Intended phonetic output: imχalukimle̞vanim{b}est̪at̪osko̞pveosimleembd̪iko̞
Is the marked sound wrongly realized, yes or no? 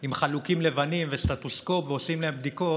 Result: yes